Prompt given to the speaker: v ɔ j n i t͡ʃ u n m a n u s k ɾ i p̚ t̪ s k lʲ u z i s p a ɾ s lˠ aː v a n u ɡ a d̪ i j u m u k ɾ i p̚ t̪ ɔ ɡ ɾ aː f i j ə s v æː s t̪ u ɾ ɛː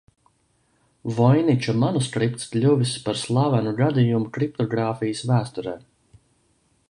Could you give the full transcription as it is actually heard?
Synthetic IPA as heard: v ɔ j n i t͡ʃ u m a n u s k ɾ i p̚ t̪ s k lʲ u v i s p a ɾ s lˠ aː v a n u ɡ a d̪ i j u m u k ɾ i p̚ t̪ ɔ ɡ ɾ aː f i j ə s v æː s t̪ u ɾ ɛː